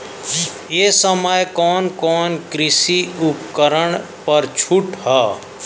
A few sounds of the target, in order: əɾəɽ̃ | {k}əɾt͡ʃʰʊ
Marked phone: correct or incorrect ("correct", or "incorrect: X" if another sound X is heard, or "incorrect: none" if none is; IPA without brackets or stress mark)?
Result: incorrect: p